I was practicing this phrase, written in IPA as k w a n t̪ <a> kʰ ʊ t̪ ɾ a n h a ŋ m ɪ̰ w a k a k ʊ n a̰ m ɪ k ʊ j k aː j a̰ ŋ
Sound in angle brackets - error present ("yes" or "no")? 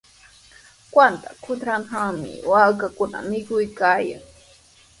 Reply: no